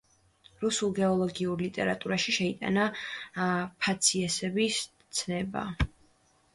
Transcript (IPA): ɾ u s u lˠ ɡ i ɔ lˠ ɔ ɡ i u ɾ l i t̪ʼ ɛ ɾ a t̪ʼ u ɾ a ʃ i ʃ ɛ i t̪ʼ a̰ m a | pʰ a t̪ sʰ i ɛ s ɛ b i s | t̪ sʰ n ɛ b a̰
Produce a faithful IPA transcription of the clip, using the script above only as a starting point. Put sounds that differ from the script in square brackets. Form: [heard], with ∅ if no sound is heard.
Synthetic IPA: ɾ u s u lˠ ɡ [ɛ] ɔ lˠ ɔ ɡ i u ɾ l i t̪ʼ ɛ ɾ a t̪ʼ u ɾ a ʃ i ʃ ɛ i t̪ʼ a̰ [n] a | pʰ a t̪ sʰ i ɛ s ɛ b i s | t̪ sʰ n ɛ b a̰